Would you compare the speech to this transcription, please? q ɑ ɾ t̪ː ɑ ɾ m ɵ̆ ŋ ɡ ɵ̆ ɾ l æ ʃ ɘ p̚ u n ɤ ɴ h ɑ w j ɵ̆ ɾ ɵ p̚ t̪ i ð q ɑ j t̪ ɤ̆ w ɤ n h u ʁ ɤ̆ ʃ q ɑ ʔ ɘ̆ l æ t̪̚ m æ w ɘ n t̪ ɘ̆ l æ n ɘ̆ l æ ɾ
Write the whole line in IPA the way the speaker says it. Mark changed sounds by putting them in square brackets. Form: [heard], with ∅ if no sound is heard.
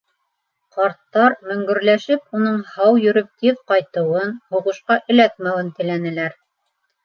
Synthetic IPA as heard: q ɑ ɾ t̪ː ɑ ɾ m ɵ̆ ŋ ɡ ɵ̆ ɾ l æ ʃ ɘ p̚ u n ɤ ɴ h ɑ w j ɵ̆ ɾ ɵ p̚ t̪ i ð q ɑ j t̪ ɤ̆ w ɤ n h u ʁ ɤ̆ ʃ q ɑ ʔ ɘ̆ l æ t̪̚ m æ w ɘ n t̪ ɘ̆ l æ n ɘ̆ l æ ɾ